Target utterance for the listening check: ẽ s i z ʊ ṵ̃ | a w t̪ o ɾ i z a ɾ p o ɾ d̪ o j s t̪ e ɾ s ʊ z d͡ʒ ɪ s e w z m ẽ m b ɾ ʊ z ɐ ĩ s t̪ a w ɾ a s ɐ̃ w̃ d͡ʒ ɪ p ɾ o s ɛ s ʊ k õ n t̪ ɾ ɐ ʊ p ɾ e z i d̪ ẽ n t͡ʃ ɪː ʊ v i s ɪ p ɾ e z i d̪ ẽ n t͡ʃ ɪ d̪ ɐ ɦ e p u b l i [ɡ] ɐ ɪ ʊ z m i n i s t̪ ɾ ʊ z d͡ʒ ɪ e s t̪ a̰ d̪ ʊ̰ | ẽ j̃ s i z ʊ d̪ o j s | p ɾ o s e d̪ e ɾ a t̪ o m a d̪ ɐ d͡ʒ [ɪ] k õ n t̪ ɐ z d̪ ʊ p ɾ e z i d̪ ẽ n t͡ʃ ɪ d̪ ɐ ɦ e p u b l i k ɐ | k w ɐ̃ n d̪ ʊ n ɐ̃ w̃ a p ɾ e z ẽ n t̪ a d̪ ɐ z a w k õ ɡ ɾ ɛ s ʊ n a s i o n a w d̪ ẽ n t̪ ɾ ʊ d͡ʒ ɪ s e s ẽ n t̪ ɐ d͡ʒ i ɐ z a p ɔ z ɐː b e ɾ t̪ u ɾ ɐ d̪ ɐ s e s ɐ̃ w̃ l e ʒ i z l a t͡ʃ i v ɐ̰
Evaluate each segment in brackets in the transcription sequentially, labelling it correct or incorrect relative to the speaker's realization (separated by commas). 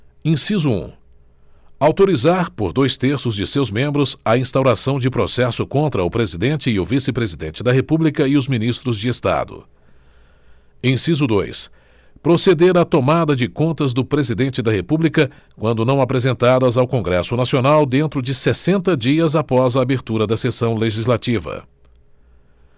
incorrect, correct